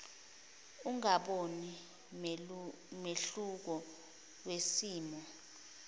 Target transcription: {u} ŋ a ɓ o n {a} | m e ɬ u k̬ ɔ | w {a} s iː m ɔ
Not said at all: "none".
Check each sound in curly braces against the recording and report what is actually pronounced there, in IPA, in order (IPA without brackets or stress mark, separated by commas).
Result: u, i, e